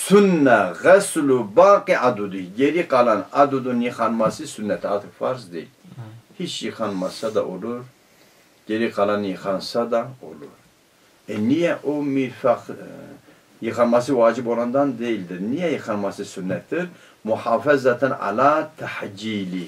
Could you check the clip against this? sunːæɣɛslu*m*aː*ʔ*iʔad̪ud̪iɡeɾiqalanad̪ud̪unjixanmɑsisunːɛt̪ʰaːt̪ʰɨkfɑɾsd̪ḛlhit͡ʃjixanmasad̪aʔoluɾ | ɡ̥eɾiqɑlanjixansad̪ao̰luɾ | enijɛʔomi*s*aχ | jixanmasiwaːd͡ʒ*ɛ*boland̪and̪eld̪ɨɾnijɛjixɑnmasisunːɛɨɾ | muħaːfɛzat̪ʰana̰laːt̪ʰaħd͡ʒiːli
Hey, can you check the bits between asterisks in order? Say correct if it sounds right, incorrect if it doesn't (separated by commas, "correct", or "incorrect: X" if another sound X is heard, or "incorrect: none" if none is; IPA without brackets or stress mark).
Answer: incorrect: b, incorrect: q, incorrect: f, incorrect: i